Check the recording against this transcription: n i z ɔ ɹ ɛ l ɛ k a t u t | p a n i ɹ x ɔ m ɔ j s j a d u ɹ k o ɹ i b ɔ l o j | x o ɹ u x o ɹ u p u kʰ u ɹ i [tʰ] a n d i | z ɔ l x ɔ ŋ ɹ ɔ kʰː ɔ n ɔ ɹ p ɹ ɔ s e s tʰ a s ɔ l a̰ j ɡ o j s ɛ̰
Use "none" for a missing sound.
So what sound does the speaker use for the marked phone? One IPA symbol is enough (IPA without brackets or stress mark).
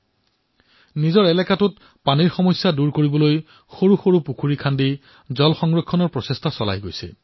kʰ